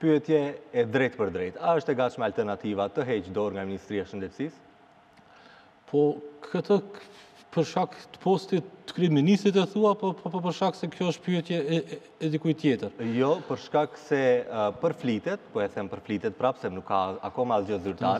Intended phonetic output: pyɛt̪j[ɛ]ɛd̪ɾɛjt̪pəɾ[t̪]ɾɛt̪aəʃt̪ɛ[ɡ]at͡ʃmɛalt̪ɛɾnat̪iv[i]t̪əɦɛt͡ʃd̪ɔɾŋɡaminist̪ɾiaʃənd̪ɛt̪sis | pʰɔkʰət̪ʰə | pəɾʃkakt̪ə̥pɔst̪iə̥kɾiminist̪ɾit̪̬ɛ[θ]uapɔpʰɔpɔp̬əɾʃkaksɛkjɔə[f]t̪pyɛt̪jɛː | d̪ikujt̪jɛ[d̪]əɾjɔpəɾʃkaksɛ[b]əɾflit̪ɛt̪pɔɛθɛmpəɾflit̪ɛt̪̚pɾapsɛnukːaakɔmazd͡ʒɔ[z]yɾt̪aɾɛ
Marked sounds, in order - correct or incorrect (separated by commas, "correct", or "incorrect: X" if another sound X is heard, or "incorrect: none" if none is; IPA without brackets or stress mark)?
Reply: correct, incorrect: d̪, correct, incorrect: a, correct, incorrect: ʃ, incorrect: t̪, incorrect: p, correct